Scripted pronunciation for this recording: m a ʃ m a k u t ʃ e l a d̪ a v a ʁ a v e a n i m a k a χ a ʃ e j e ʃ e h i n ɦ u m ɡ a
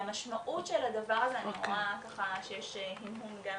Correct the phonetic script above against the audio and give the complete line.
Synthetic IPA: m a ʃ m a ʔ u t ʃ e l a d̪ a v a ʁ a z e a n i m a k a χ a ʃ e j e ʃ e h i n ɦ u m ɡ a

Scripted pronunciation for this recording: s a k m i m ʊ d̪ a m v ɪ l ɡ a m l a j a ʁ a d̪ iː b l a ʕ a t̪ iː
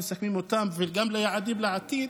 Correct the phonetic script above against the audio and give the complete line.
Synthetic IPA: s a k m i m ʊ t̪ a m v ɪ l ɡ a m l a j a ʕ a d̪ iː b l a ʕ a t̪ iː

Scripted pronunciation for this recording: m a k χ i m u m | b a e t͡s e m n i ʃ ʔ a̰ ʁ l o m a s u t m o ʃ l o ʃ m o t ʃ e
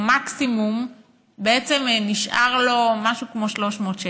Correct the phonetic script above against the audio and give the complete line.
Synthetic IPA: m a k s i m u m | b e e t͡s e m n i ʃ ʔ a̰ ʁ l o m a ʃ u k m o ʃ l o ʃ m o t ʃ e

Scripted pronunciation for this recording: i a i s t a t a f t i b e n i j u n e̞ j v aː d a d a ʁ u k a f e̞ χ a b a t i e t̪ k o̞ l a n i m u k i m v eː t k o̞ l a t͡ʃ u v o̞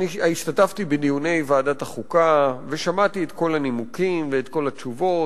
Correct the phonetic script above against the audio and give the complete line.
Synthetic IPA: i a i ʃ t a t a f t i b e n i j u n e̞ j v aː d a t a χ u k a v e̞ ʃ a m a t i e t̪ k o̞ l a n i m u k i m v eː t k o̞ l a t͡ʃ u v o̞

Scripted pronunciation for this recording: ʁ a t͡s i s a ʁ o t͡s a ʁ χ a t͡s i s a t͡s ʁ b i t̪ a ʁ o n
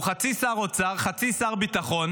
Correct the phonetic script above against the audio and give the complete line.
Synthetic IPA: χ a t͡s i s a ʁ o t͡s a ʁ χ a t͡s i s a ʁ b i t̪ a χ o n

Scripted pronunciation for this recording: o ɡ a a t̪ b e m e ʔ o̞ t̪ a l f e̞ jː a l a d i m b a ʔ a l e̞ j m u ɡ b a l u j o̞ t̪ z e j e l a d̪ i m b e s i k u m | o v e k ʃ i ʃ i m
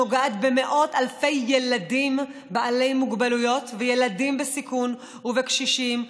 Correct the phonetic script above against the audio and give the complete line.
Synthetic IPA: o ɡ a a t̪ b e m e ʔ o̞ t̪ a l f e̞ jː e l a d i m b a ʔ a l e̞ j m u ɡ b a l u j o̞ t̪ v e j e l a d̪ i m b e s i k u n | u v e k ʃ i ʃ i m

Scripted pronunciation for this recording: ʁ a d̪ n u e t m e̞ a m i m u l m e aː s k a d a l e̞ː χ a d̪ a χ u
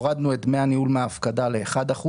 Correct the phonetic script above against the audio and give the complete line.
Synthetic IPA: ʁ a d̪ n u e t m e̞ a n i u l m e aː f k a d a l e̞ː χ a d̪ a χ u

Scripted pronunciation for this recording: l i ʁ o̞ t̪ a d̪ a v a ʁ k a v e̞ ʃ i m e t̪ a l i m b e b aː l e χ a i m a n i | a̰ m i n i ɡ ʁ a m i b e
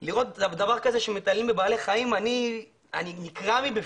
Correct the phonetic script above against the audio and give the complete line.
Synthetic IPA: l i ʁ o̞ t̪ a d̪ a v a ʁ k a z e̞ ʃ e m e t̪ a l i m b e b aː l e χ a i m a n i | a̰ n i n i k ʁ a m i b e

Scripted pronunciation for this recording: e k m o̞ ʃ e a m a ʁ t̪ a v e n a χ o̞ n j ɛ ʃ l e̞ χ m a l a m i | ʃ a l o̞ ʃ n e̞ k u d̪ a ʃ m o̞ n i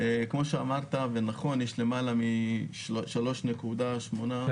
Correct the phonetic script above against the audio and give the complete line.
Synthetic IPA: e k m o̞ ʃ e a m a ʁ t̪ a v e n a χ o̞ n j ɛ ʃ l e̞ m a l a m i | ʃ a l o̞ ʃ n e̞ k u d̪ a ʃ m o̞ n a

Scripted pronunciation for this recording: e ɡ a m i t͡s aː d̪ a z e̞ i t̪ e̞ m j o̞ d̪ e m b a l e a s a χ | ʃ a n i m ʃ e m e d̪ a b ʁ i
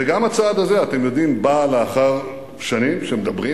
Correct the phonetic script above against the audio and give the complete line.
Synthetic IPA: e ɡ a m a t͡s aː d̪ a z e̞ a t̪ e̞ m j o̞ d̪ i m b a l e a χ a ʁ | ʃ a n i m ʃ e m e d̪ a b ʁ i

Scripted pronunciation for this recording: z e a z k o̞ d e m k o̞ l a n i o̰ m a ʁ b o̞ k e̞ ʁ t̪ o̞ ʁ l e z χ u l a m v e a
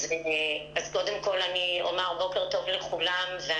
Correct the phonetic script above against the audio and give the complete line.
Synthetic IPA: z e a z k o̞ d e m k o̞ l a n i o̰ m a ʁ b o̞ k e̞ ʁ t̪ o̞ v l e χ u l a m v e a

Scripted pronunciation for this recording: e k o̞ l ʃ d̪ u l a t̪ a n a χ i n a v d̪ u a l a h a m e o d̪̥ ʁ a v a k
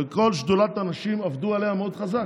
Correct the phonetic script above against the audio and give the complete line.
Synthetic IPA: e k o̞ l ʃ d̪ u l a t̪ a n a ʃ i m a v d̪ u a l e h a m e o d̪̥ χ a z a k

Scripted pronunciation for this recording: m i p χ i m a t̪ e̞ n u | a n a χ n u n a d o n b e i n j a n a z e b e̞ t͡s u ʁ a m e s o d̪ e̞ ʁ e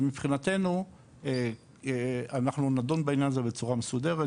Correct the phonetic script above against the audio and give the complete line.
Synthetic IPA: m i p χ i n a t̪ e̞ n u | a n a χ n u n a d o n b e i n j a n a z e b e̞ t͡s u ʁ a m e s u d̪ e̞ ʁ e

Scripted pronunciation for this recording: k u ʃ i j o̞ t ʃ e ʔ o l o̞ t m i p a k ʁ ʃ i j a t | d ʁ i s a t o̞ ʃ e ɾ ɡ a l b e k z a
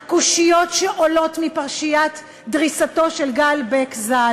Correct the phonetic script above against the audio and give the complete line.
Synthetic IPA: k u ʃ i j o̞ t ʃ e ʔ o l o̞ t m i p a ʁ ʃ i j a t | d ʁ i s a t o̞ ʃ e l ɡ a l b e k z a

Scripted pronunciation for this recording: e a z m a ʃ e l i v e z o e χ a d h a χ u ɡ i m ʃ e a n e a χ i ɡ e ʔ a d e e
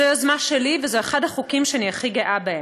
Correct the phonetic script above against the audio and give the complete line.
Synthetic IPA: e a z m a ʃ e l i v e z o e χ a d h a χ u k i m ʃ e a n i a χ i ɡ e ʔ a b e e

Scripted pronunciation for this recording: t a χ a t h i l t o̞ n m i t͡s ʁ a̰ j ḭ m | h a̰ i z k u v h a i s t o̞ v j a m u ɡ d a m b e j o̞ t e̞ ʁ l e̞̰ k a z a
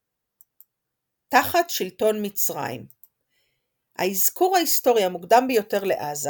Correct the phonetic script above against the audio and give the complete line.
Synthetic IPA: t a χ a t ʃ i l t o̞ n m i t͡s ʁ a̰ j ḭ m | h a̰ i z k u ʁ h a i s t o̞ ʁ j a m u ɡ d a m b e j o̞ t e̞ ʁ l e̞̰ ʔ a z a

